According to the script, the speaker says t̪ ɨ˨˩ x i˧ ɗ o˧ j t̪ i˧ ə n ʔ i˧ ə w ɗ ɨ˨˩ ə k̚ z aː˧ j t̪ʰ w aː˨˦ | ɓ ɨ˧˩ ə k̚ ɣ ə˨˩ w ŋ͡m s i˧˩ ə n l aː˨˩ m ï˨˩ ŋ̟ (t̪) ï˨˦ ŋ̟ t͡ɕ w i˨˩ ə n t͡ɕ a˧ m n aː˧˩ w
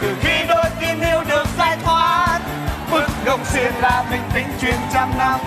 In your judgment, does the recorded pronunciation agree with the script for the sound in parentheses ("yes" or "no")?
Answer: yes